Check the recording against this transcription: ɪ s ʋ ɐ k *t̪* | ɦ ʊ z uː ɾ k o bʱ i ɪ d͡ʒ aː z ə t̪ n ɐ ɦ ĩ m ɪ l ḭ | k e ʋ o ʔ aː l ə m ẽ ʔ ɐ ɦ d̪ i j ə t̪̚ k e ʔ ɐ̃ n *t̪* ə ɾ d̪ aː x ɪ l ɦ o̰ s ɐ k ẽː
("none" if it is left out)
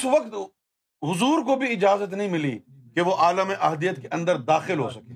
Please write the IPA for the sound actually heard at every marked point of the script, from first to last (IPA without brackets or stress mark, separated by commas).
t̪, d̪